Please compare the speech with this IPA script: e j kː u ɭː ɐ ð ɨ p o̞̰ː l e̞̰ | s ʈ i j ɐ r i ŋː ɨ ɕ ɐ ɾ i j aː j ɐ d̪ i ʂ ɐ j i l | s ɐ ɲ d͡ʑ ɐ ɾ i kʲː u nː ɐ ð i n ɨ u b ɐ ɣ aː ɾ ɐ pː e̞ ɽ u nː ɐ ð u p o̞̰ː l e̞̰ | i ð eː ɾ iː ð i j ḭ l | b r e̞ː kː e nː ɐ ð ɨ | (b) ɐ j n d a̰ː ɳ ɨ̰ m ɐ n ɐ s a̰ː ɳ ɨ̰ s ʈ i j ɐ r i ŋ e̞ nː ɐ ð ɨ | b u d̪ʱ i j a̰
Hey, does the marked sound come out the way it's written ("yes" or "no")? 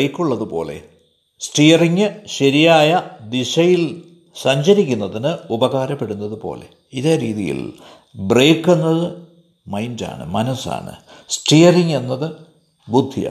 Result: no